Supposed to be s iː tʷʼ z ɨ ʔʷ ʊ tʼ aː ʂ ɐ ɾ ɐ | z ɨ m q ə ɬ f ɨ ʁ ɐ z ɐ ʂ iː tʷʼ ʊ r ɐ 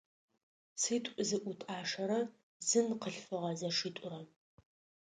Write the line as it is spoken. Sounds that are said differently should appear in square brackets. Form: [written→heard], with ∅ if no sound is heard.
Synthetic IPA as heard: s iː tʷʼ z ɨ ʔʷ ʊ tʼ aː ʂ ɐ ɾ ɐ | z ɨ [m→n] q ə ɬ f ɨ ʁ ɐ z ɐ ʂ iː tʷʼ ʊ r ɐ